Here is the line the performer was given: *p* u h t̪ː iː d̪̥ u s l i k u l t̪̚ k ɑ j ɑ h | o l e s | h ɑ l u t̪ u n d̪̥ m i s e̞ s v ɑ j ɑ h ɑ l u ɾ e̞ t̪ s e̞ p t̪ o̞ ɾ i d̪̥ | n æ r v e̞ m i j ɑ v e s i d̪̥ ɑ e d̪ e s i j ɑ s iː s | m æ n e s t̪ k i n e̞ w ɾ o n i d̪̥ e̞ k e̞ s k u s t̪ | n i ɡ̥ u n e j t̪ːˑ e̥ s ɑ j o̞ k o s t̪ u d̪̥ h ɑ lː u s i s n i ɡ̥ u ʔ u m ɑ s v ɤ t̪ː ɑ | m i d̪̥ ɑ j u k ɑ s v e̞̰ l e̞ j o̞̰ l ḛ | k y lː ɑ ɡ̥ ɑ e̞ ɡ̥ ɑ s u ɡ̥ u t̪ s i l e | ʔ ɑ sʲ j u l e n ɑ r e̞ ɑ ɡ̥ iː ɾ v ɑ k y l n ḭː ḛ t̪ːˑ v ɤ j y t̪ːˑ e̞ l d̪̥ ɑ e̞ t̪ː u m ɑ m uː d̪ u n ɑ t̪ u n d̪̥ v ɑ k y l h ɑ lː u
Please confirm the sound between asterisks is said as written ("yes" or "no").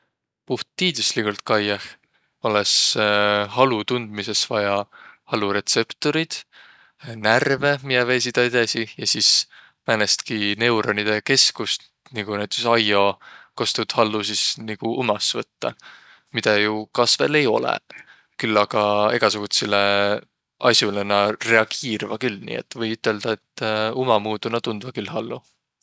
yes